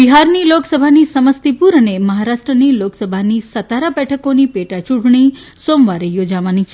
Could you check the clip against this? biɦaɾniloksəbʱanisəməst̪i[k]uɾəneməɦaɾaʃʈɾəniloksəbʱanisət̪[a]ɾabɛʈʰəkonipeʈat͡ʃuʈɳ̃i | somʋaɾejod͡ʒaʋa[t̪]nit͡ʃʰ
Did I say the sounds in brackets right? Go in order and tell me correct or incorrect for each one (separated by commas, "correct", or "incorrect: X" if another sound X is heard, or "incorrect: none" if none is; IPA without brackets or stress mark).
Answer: incorrect: p, correct, incorrect: none